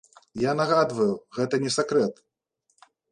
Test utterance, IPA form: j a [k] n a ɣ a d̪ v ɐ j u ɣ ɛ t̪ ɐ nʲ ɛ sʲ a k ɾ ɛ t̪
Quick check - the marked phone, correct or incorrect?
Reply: incorrect